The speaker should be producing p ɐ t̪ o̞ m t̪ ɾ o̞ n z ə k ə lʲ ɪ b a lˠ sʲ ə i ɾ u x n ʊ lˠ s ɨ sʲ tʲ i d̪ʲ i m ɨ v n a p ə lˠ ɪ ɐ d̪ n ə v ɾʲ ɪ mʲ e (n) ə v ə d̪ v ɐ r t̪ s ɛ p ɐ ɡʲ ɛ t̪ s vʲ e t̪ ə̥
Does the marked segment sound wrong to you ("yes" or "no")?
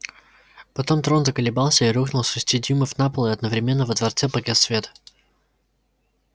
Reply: yes